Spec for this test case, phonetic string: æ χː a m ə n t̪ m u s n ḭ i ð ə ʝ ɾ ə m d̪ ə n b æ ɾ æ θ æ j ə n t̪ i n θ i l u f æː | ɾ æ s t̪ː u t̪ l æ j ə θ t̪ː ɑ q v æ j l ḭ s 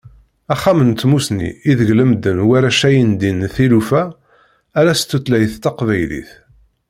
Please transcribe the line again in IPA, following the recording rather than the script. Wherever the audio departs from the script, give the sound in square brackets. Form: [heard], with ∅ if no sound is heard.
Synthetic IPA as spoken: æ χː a m ə n t̪ m u s n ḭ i ð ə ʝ [l] ə m d̪ ə n [w] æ ɾ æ [ʃ] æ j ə n [d̪] i n θ i l u f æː | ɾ æ s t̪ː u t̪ l æ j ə θ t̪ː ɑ q v æ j l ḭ [θ]